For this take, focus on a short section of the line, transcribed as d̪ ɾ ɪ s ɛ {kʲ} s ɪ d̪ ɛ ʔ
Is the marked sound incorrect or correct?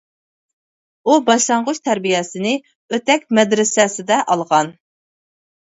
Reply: incorrect: none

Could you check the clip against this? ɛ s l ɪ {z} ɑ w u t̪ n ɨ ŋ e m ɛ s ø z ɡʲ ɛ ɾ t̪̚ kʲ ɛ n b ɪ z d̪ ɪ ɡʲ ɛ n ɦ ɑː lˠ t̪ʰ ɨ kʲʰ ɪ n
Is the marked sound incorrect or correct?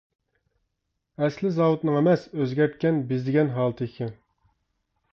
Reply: correct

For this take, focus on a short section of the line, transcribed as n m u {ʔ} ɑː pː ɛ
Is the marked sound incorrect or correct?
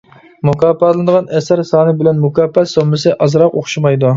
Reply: incorrect: k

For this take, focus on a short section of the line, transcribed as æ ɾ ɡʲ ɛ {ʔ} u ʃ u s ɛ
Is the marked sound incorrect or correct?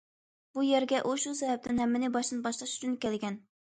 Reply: correct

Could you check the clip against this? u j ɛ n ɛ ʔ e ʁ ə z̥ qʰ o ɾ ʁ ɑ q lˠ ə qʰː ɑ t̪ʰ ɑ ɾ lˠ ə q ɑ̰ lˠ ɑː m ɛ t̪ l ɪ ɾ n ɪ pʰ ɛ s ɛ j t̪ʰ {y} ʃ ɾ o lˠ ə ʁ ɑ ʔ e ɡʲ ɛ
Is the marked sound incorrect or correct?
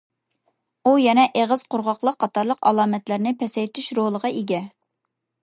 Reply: correct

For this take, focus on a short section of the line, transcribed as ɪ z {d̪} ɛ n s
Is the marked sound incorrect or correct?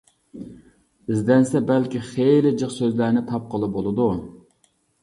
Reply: correct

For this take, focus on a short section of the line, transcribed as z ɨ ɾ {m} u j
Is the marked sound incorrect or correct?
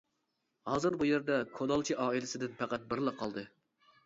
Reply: incorrect: b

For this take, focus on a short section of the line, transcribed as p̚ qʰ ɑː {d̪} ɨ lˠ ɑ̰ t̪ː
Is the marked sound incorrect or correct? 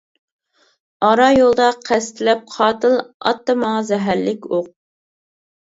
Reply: incorrect: t̪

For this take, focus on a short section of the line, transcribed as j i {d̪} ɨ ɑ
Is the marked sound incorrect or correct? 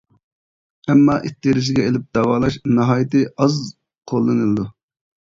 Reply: incorrect: t̪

